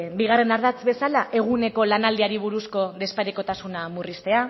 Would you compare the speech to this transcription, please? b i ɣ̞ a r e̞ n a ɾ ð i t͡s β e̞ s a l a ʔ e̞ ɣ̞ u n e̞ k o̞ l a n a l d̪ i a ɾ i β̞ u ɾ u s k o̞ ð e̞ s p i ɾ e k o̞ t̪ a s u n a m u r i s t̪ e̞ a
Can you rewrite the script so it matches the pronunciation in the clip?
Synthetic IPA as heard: b i ɣ̞ a r e̞ n a ɾ ð a t͡s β e̞ s a l a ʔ e̞ ɣ̞ u n e̞ k o̞ l a n a l d̪ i a ɾ i β̞ u ɾ u s k o̞ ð e̞ s p a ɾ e k o̞ t̪ a s u n a m u r i s t̪ e̞ a